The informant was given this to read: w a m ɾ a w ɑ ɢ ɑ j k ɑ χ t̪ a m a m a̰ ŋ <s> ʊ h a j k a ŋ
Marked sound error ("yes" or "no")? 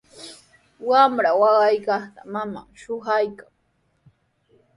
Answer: yes